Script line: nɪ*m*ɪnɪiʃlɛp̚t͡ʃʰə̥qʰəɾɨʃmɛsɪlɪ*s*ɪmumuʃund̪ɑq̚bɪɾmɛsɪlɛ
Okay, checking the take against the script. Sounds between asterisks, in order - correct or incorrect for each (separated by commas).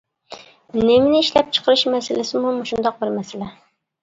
correct, correct